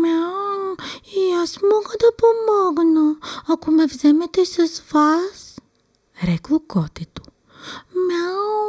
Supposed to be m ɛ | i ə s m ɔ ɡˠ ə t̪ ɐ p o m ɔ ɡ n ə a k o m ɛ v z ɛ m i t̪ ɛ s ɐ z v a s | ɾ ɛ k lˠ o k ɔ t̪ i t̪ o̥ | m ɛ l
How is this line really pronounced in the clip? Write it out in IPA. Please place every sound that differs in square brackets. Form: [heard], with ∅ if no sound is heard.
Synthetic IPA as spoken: m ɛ | i [a] s m ɔ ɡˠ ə [d̪] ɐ p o m ɔ ɡ n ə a k o m ɛ v z ɛ m [ɛ] t̪ ɛ s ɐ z v a s | ɾ ɛ k lˠ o k ɔ t̪ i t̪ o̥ | m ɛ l